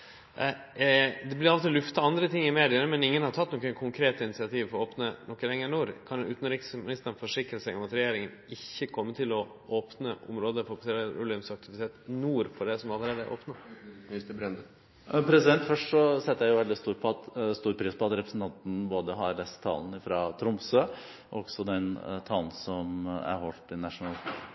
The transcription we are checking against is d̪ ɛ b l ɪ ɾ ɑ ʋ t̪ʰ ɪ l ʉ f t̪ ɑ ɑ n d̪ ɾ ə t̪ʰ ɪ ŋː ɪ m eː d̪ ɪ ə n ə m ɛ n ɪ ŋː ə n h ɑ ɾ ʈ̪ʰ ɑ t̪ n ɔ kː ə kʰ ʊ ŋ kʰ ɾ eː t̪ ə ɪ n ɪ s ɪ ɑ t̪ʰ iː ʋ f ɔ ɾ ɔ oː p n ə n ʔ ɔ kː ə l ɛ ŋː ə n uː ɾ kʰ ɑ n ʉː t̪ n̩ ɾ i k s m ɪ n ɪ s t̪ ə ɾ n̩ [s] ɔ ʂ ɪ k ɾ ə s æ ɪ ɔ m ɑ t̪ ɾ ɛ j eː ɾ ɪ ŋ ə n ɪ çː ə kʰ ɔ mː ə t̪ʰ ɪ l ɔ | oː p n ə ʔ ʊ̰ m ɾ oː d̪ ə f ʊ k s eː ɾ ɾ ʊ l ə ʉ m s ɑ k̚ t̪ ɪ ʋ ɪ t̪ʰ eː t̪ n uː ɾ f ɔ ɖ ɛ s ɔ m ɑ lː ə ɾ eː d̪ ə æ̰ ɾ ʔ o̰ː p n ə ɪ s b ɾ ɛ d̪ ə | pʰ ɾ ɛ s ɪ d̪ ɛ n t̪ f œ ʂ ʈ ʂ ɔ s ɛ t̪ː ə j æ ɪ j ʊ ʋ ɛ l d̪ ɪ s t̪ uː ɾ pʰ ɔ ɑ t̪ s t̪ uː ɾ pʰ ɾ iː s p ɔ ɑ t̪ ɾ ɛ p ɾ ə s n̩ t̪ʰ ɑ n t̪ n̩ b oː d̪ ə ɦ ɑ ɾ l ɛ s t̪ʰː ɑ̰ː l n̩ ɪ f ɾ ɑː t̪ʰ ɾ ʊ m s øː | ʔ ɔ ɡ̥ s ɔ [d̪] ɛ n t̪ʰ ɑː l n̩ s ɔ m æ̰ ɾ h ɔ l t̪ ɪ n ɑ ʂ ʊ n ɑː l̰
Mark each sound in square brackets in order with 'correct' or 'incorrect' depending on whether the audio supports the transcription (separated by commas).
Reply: incorrect, correct